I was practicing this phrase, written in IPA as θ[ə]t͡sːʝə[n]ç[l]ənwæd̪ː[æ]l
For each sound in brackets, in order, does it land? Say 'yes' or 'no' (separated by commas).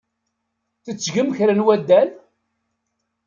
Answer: yes, no, no, yes